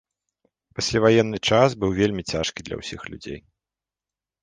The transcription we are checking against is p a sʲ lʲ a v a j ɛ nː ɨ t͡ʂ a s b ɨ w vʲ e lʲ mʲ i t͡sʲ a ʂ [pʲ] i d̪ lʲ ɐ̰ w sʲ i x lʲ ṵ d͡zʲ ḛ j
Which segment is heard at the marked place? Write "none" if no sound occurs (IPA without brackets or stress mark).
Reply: kʲ